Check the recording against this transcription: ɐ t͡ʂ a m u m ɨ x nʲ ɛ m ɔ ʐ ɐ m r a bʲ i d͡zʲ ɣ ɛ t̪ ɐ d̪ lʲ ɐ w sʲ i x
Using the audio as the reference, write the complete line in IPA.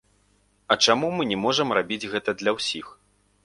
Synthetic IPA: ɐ t͡ʂ a m u m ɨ nʲ ɛ m ɔ ʐ ɐ m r a bʲ i d͡zʲ ɣ ɛ t̪ ɐ d̪ lʲ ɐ w sʲ i x